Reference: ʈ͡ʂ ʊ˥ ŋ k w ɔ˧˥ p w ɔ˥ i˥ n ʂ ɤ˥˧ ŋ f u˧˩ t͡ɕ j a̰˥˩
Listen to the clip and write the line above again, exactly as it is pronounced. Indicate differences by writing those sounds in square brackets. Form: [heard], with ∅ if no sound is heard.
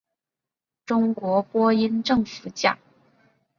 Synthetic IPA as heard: ʈ͡ʂ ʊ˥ ŋ k w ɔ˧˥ p w ɔ˥ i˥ n [ʈ͡ʂ] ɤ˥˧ ŋ f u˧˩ t͡ɕ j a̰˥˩